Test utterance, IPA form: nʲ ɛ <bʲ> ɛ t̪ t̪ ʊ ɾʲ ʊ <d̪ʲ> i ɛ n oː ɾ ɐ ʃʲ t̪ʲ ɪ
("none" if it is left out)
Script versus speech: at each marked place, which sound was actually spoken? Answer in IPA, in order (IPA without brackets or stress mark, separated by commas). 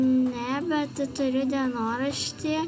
bʲ, d̪ʲ